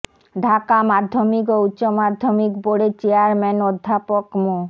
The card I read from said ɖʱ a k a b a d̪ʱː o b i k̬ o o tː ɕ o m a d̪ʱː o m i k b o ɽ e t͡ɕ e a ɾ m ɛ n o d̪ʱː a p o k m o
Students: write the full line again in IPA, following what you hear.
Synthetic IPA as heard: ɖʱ a k a m a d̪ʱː o m i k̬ o u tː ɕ o m a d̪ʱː o m i k b o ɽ e t͡ɕ e a ɾ m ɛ n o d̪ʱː a p o k m o